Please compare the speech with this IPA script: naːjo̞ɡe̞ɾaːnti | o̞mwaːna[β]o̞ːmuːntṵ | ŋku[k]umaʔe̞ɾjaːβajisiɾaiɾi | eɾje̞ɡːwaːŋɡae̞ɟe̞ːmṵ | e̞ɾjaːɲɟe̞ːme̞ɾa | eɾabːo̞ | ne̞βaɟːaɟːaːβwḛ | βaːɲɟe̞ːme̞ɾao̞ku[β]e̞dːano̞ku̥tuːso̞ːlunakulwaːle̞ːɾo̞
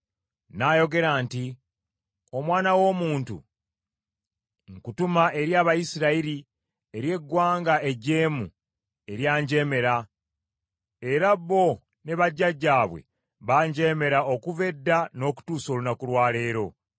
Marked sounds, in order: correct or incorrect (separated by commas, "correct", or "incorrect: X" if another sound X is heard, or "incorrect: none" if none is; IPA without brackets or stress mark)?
incorrect: w, incorrect: t, incorrect: v